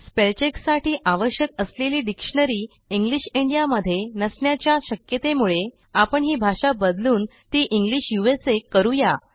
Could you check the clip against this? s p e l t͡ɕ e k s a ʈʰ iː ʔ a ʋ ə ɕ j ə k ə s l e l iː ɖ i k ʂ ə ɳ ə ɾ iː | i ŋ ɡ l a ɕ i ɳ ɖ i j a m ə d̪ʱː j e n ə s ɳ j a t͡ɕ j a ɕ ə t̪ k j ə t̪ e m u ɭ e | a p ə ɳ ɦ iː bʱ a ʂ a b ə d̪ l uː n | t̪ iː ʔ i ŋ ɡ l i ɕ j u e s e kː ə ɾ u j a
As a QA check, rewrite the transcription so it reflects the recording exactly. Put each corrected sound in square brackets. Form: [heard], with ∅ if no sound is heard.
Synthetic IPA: s p e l t͡ɕ e k s a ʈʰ iː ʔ a ʋ ə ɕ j ə k ə s l e l iː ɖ i k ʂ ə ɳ ə ɾ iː | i ŋ ɡ l [i] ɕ i ɳ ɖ i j a m ə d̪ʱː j e n ə s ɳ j a t͡ɕ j a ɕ ə [∅] k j ə t̪ e m u ɭ e | a p ə ɳ ɦ iː bʱ a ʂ a b ə d̪ l uː n | t̪ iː ʔ i ŋ ɡ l i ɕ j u e s e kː ə ɾ u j a